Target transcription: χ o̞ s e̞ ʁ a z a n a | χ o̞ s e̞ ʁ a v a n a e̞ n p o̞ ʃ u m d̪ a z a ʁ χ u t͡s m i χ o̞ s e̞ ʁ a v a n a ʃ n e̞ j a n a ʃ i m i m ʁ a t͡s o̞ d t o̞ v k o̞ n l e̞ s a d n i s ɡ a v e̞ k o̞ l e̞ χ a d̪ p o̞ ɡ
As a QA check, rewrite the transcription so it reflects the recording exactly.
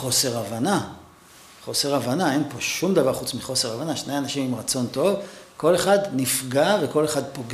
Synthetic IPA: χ o̞ s e̞ ʁ a v a n a | χ o̞ s e̞ ʁ a v a n a e̞ n p o̞ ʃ u m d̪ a v a ʁ χ u t͡s m i χ o̞ s e̞ ʁ a v a n a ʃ n e̞ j a n a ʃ i m i m ʁ a t͡s o̞ n t o̞ v k o̞ l e̞ χ a d n i f ɡ a v e̞ k o̞ l e̞ χ a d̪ p o̞ ɡ